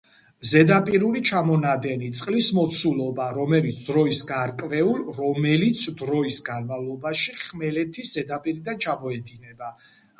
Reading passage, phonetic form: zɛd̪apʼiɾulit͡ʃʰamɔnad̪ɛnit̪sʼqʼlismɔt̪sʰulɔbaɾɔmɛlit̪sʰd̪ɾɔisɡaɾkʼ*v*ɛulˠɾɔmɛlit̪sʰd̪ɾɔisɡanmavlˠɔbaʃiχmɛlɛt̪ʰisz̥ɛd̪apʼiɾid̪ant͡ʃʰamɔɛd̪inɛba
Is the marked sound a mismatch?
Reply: no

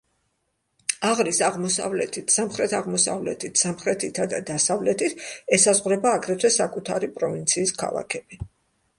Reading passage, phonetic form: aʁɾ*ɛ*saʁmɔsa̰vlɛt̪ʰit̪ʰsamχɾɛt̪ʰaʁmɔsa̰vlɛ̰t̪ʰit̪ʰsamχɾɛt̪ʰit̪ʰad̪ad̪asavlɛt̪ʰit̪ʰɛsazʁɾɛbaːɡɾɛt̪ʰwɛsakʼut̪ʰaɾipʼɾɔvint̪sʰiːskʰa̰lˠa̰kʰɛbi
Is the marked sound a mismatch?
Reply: yes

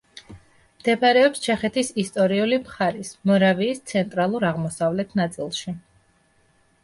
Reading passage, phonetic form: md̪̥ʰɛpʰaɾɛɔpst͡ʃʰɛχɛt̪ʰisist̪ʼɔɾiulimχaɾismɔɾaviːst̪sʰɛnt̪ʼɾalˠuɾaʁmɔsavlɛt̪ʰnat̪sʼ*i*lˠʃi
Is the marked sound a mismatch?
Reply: no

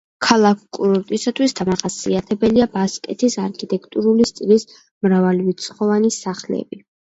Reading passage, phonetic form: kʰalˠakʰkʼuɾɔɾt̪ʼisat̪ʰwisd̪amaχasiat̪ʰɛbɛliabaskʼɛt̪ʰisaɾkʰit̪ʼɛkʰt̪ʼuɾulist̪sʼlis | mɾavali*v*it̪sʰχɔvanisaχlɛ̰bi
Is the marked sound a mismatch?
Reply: no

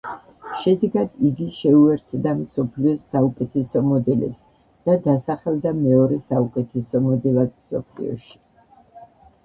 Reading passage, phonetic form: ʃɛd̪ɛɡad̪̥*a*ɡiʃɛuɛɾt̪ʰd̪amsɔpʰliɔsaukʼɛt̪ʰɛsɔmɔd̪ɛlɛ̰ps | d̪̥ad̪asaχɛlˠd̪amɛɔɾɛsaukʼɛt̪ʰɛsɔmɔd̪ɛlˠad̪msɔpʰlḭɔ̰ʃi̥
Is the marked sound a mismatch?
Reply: yes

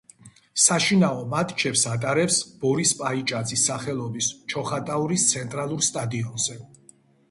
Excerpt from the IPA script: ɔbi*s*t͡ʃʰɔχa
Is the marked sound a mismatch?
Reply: no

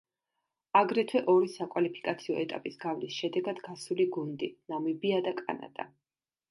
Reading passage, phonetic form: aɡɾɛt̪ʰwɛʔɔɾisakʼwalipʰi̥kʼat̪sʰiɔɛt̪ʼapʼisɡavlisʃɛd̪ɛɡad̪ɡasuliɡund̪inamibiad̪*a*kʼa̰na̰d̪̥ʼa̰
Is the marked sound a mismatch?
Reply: no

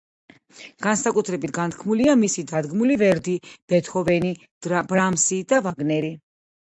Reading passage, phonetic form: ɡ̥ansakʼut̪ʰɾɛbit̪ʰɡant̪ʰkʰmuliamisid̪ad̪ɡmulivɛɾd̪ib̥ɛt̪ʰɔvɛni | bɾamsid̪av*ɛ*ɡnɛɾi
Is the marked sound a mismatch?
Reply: yes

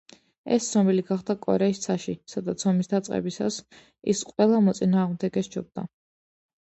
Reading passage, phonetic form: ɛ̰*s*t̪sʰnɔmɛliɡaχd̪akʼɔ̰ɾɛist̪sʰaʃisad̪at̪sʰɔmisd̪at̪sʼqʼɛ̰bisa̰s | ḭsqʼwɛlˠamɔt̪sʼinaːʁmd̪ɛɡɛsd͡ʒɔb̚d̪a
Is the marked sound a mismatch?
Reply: no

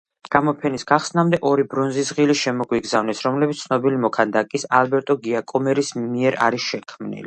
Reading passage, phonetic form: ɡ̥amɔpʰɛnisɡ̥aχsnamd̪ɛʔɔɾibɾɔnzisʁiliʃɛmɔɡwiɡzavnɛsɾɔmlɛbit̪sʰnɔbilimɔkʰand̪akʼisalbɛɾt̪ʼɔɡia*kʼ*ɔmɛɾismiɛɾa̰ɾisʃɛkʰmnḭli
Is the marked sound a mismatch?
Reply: no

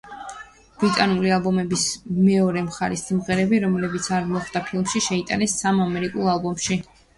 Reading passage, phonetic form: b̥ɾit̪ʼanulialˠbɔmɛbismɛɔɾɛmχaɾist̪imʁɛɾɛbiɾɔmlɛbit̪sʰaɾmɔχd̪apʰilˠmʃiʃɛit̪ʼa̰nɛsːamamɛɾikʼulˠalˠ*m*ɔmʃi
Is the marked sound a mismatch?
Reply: yes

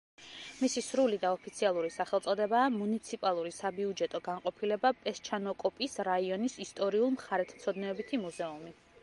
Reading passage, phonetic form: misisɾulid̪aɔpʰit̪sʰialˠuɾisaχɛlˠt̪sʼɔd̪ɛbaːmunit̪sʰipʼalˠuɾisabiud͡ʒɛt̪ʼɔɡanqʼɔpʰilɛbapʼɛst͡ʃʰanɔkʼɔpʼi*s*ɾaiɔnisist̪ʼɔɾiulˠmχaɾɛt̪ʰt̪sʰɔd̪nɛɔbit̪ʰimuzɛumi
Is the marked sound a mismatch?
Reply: no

